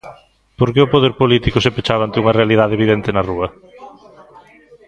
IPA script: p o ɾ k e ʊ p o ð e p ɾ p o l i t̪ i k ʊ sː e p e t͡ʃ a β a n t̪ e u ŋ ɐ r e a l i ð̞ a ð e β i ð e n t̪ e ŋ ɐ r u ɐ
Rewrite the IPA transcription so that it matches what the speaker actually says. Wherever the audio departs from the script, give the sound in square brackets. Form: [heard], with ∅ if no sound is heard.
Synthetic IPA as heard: p o ɾ k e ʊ p o ð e [∅] ɾ p o l i t̪ i k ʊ [s] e p e t͡ʃ a β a n t̪ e u ŋ ɐ r e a l i ð̞ a ð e β i ð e n t̪ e [n] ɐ r u ɐ